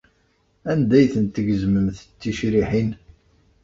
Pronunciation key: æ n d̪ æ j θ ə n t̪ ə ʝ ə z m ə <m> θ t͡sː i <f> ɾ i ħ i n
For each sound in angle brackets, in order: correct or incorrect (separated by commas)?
correct, incorrect